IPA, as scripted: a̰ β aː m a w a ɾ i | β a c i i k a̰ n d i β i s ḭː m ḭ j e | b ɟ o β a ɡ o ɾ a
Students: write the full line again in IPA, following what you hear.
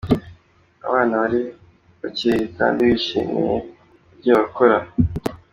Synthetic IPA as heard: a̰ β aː n a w a ɾ i | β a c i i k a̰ n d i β i ʃ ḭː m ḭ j e | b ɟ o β a k o ɾ a